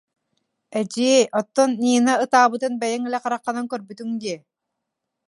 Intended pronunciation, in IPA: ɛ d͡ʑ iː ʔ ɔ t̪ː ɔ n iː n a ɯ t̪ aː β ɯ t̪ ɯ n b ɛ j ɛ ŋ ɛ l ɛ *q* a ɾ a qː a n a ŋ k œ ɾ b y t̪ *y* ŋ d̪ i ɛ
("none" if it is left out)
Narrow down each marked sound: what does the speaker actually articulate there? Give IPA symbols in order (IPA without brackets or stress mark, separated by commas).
q, y